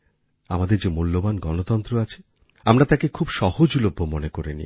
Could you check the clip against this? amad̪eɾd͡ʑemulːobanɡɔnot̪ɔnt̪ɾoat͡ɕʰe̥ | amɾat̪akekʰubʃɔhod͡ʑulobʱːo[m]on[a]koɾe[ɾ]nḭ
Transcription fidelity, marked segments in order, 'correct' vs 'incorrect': correct, incorrect: e, incorrect: none

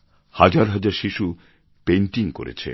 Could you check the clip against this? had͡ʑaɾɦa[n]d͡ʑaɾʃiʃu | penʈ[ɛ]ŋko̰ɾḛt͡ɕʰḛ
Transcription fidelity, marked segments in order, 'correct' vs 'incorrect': incorrect: none, incorrect: i

